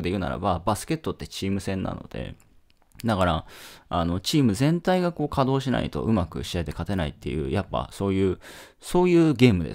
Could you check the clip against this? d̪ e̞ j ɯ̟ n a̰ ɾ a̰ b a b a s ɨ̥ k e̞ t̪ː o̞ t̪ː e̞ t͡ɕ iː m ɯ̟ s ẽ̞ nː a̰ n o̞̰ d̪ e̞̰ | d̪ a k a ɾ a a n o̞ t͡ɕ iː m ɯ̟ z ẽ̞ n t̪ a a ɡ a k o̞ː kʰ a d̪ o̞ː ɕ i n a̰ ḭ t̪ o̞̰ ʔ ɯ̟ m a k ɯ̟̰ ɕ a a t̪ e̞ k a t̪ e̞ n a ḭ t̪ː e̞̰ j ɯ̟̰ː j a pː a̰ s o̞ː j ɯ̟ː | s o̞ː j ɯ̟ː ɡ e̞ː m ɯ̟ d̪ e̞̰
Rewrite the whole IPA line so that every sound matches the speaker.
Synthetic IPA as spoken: d̪ e̞ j ɯ̟ n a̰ ɾ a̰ b a b a s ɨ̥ k e̞ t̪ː o̞ t̪ː e̞ t͡ɕ iː m ɯ̟ s ẽ̞ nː a̰ n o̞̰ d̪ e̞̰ | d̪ a k a ɾ a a n o̞ t͡ɕ iː m ɯ̟ z ẽ̞ n t̪ a i ɡ a k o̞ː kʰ a d̪ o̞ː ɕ i n a̰ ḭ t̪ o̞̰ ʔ ɯ̟ m a k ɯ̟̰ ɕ i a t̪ e̞ k a t̪ e̞ n a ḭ t̪ː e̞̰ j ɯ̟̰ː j a pː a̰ s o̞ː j ɯ̟ː | s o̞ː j ɯ̟ː ɡ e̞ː m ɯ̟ d̪ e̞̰

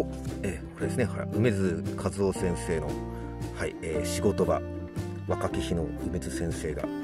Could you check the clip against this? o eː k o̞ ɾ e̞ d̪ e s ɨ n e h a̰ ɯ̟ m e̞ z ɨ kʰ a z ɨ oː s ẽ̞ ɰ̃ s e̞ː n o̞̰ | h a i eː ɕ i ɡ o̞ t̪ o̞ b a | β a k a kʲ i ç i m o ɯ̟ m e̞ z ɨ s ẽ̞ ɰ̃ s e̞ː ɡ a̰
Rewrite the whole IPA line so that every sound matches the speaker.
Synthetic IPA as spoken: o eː k o̞ ɾ e̞ d̪ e s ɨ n e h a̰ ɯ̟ m e̞ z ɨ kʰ a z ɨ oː s ẽ̞ ɰ̃ s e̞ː n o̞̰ | h a i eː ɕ i ɡ o̞ t̪ o̞ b a | β a k a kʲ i ç i n o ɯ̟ m e̞ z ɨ s ẽ̞ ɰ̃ s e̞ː ɡ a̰

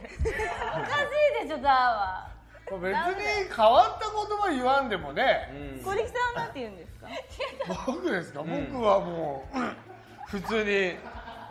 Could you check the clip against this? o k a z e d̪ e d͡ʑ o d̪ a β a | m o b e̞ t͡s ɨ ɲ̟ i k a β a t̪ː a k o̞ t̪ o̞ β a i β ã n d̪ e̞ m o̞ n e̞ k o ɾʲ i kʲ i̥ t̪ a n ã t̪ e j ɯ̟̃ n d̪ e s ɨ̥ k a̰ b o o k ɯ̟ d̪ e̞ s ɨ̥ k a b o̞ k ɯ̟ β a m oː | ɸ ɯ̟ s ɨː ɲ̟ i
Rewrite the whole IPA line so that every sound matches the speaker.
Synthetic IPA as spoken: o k a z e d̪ e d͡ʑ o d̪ a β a | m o b e̞ t͡s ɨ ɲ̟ i k a β a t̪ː a k o̞ t̪ o̞ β a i β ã n d̪ e̞ m o̞ n e̞ k o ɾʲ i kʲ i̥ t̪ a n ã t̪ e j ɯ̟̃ n d̪ e s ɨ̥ k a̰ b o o k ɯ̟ d̪ e̞ s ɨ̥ k a b o̞ k ɯ̟ β a m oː | ɸ ɯ̟ t͡s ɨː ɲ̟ i

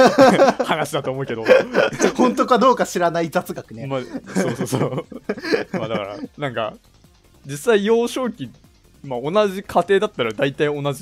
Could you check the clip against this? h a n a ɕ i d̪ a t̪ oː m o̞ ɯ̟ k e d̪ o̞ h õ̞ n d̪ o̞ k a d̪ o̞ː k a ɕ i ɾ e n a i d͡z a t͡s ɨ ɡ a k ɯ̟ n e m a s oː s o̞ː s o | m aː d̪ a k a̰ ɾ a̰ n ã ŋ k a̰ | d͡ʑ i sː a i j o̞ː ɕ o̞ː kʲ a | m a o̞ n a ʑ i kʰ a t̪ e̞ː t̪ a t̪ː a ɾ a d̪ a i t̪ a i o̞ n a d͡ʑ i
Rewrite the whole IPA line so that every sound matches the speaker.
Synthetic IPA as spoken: h a n a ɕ i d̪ a t̪ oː m o̞ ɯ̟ k e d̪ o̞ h õ̞ n t̪ o̞ k a d̪ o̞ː k a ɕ i ɾ a n a i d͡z a t͡s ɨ ɡ a k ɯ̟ n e m a s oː s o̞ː s o | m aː d̪ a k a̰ ɾ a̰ n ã ŋ k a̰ | d͡ʑ i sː a i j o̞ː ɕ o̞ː kʲ i | m a o̞ n a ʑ i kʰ a t̪ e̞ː d̪ a t̪ː a ɾ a d̪ a i t̪ a i o̞ n a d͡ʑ i

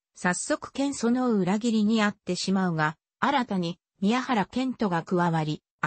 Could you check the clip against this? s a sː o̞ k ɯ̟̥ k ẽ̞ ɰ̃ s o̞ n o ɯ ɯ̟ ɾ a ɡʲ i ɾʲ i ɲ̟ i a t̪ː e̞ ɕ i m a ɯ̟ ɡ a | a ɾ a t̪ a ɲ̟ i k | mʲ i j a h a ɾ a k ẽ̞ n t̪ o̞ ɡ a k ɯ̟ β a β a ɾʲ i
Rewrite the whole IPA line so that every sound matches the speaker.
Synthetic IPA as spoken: s a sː o̞ k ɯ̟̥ k ẽ̞ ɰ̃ s o̞ n o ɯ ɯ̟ ɾ a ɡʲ i ɾʲ i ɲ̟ i a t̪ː e̞ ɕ i m a ɯ̟ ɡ a | a ɾ a t̪ a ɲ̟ i | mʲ i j a h a ɾ a k ẽ̞ n t̪ o̞ ɡ a k ɯ̟ β a β a ɾʲ i

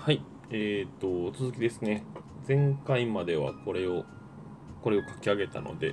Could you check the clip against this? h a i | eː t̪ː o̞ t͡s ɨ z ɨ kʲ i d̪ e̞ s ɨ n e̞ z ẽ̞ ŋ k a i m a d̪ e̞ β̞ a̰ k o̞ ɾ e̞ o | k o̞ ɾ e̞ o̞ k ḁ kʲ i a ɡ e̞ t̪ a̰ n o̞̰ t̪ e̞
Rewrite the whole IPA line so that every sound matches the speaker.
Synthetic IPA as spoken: h a i | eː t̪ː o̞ t͡s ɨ z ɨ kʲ i d̪ e̞ s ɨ n e̞ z ẽ̞ ŋ k a i m a d̪ e̞ β̞ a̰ k o̞ ɾ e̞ o | k o̞ ɾ e̞ o̞ k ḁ kʲ i a ɡ e̞ t̪ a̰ n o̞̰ d̪ e̞

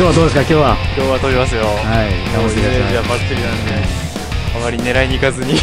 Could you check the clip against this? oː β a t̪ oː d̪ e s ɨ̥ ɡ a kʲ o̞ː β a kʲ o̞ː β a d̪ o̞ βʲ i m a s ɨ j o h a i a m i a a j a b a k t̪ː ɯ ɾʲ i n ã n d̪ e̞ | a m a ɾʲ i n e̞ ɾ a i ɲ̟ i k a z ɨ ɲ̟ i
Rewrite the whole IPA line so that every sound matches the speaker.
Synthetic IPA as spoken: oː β a d̪ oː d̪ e s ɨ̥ k a kʲ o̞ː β a kʲ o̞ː β a t̪ o̞ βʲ i m a s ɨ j o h a i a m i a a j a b a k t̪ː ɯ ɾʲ i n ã n d̪ e̞ | a m a ɾʲ i n e̞ ɾ a i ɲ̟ i k a z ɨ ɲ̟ i

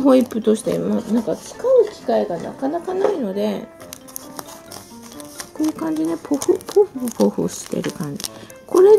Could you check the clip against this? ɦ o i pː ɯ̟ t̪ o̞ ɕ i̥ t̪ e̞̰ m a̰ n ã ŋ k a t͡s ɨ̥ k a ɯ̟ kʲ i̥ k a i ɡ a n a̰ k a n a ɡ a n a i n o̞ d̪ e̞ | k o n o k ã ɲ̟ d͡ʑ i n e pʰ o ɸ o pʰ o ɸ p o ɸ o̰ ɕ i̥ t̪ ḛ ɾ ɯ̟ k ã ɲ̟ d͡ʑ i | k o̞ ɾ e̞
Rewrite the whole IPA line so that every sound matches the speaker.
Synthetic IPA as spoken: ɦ o i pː ɯ̟ t̪ o̞ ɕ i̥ t̪ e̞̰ m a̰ n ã ŋ k a t͡s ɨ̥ k a ɯ̟ kʲ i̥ k a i ɡ a n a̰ k a n a k a n a i n o̞ d̪ e̞ | k o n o k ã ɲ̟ d͡ʑ i n e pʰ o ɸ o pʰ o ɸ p o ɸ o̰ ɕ i̥ t̪ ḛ ɾ ɯ̟ k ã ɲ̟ d͡ʑ i | k o̞ ɾ e̞

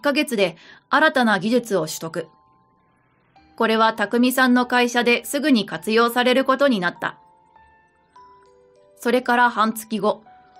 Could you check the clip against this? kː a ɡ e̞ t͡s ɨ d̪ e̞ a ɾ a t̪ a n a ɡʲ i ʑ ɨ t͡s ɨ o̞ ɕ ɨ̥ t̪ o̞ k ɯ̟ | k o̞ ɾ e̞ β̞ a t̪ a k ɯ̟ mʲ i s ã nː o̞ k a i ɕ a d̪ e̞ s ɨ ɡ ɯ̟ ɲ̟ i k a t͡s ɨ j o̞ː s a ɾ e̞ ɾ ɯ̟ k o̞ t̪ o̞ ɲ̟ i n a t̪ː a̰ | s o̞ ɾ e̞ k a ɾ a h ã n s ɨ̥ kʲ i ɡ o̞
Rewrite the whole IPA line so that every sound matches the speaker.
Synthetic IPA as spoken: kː a ɡ e̞ t͡s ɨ d̪ e̞ a ɾ a t̪ a n a ɡʲ i ʑ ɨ t͡s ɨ o̞ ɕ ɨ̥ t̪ o̞ k ɯ̟ | k o̞ ɾ e̞ β̞ a t̪ a k ɯ̟ mʲ i s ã nː o̞ k a i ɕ a d̪ e̞ s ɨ ɡ ɯ̟ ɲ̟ i k a t͡s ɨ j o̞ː s a ɾ e̞ ɾ ɯ̟ k o̞ t̪ o̞ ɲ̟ i n a t̪ː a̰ | s o̞ ɾ e̞ k a ɾ a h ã n t͡s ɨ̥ kʲ i ɡ o̞

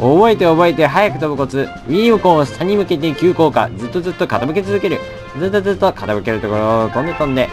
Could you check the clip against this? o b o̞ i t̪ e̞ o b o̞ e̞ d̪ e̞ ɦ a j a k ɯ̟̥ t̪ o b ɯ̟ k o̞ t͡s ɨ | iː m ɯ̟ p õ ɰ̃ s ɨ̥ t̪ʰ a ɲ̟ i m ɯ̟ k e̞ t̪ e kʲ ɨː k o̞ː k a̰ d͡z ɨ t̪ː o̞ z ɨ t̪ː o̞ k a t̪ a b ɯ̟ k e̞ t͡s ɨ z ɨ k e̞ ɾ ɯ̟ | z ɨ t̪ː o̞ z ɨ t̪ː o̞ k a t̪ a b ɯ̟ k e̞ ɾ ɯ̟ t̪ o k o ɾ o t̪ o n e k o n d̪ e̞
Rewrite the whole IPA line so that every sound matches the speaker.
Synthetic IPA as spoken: o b o̞ e t̪ e̞ o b o̞ e̞ t̪ e̞ ɦ a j a k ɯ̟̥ t̪ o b ɯ̟ k o̞ t͡s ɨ | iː m ɯ̟ k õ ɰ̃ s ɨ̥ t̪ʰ a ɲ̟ i m ɯ̟ k e̞ t̪ e kʲ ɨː k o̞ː k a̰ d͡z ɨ t̪ː o̞ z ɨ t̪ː o̞ k a t̪ a b ɯ̟ k e̞ t͡s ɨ z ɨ k e̞ ɾ ɯ̟ | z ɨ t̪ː o̞ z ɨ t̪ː o̞ k a t̪ a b ɯ̟ k e̞ ɾ ɯ̟ t̪ o k o ɾ o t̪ o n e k õ n d̪ e̞

